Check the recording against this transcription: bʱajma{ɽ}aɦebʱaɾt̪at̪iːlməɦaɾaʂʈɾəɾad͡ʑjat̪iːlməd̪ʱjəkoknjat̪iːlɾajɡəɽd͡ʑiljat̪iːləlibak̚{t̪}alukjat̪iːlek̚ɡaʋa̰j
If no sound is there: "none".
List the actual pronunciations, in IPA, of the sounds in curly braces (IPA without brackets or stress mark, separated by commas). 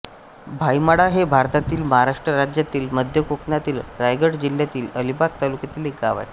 ɽ, t̪